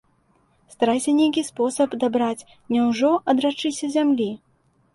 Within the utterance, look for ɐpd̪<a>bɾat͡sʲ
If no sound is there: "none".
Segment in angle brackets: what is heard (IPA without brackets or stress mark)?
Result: a